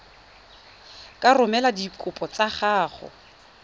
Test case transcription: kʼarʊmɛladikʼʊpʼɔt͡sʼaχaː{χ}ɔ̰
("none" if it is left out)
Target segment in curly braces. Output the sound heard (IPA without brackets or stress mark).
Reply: χ